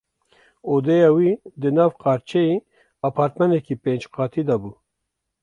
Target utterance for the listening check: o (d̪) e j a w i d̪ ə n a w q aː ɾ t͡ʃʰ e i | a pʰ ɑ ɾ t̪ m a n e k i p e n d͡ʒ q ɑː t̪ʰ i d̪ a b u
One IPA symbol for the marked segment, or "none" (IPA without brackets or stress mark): d̪